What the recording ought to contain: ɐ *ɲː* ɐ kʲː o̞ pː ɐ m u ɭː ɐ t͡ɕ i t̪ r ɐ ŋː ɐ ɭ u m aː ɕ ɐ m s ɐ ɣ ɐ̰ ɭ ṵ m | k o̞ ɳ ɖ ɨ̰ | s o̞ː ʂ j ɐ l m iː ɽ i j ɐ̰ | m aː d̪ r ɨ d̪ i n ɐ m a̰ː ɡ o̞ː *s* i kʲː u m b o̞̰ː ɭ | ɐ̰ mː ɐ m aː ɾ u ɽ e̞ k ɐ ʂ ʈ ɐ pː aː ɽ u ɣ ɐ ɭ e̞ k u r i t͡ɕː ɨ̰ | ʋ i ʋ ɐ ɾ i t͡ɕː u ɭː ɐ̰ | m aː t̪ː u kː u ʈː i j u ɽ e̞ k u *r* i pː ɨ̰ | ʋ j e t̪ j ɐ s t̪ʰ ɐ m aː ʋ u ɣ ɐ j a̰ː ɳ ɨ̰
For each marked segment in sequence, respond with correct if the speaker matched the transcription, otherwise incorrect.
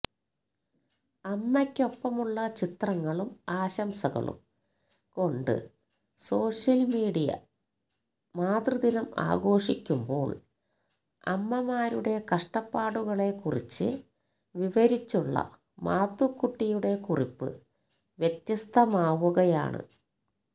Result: incorrect, incorrect, correct

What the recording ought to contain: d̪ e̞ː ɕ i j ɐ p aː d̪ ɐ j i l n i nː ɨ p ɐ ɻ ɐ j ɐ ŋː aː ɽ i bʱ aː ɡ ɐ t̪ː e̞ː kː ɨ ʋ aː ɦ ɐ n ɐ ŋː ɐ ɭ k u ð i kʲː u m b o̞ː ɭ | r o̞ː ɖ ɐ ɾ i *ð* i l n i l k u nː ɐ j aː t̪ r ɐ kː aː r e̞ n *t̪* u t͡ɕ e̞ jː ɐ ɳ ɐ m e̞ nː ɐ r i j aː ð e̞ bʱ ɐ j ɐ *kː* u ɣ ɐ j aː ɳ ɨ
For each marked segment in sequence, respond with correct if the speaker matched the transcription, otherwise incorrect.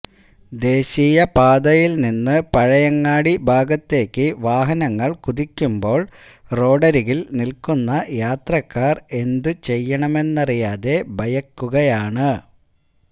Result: incorrect, incorrect, correct

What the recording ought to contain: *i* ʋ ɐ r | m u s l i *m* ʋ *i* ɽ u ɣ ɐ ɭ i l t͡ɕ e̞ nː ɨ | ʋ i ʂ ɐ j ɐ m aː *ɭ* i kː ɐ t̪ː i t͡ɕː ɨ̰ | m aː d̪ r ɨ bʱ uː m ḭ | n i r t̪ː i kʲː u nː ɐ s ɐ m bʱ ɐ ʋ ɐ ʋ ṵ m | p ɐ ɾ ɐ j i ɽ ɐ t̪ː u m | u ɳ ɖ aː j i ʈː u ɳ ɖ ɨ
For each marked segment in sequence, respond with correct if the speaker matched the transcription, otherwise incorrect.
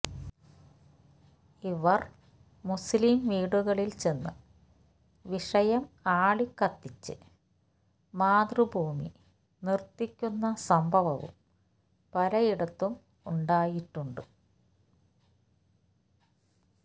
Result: correct, correct, incorrect, correct

